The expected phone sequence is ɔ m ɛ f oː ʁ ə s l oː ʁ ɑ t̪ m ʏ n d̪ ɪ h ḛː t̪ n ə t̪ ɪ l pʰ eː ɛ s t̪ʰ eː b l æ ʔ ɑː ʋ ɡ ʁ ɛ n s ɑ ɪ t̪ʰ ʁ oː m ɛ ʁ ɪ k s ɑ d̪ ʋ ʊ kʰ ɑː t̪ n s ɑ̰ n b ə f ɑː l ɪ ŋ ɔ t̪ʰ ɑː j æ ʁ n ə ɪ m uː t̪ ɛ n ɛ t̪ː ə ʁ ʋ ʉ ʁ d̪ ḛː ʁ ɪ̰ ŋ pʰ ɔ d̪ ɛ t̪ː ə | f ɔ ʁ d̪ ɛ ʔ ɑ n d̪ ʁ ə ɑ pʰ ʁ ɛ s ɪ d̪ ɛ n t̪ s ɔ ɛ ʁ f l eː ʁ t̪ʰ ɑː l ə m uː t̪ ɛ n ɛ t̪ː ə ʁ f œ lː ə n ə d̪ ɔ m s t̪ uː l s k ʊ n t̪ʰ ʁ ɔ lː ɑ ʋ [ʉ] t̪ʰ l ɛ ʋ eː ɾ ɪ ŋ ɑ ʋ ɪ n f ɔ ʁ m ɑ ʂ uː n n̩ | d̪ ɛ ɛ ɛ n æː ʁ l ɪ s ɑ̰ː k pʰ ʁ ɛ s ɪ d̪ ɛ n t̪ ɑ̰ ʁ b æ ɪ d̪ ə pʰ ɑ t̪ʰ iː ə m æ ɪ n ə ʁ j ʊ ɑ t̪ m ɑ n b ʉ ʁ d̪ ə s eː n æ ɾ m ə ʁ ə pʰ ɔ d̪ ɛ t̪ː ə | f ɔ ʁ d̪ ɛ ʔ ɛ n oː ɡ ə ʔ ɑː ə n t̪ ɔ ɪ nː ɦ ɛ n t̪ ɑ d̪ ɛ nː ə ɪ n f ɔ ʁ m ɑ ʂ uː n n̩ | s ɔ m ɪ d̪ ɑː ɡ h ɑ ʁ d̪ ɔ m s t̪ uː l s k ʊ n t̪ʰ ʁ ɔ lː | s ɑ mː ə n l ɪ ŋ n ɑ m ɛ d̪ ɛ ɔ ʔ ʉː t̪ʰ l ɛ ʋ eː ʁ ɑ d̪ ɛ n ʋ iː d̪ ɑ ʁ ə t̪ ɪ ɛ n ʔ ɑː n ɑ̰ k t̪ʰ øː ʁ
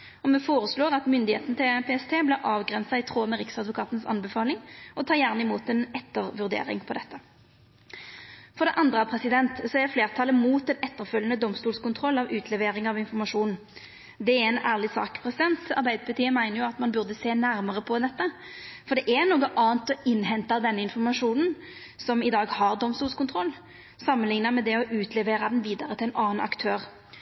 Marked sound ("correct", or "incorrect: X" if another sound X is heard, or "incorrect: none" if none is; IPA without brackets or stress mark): incorrect: ʉː